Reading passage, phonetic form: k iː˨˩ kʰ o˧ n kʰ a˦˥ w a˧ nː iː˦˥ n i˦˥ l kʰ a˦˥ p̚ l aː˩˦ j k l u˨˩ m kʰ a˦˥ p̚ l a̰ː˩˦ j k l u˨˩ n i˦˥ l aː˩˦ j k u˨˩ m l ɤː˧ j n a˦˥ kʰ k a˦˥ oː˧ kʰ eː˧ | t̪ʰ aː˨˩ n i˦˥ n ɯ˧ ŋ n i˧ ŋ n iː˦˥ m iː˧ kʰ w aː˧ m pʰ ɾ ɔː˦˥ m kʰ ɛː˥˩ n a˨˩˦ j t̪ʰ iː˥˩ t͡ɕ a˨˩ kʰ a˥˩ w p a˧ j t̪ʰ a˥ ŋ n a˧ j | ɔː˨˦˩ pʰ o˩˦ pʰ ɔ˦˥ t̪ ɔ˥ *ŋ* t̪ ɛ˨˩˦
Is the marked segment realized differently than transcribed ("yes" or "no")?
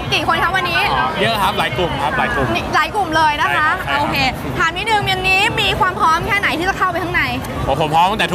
no